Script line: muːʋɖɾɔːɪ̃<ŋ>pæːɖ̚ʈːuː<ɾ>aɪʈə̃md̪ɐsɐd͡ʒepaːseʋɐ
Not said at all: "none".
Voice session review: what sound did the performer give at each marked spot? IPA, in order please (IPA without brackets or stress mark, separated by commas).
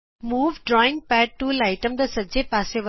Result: ŋ, l